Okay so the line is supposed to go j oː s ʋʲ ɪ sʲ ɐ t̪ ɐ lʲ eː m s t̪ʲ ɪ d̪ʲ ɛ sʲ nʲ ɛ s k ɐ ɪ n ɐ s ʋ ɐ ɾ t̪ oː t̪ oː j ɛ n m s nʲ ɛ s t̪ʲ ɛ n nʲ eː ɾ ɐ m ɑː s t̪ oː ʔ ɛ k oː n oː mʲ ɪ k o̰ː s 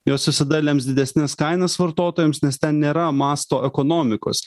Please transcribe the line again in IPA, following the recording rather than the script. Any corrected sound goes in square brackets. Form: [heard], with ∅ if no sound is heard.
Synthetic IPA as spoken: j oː s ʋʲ ɪ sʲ ɐ [d̪] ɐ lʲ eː m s [d̪ʲ] ɪ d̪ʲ ɛ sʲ nʲ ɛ s k ɐ ɪ n ɐ s ʋ ɐ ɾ t̪ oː t̪ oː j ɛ [∅] m s nʲ ɛ s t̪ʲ ɛ n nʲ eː ɾ ɐ m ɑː s t̪ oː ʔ ɛ k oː n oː mʲ ɪ k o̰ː s